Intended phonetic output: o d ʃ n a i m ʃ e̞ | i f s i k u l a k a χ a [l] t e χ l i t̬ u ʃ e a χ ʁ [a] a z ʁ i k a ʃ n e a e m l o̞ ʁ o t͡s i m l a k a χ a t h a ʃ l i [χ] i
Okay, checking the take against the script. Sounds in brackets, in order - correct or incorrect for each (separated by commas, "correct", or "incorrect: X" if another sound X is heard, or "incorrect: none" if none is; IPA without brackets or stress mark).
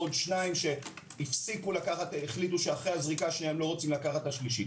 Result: incorrect: none, incorrect: e, incorrect: ʃ